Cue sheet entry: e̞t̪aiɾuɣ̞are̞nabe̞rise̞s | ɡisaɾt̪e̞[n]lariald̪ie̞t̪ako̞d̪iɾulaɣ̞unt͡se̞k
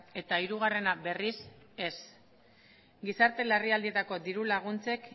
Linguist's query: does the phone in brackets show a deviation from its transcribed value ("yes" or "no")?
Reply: yes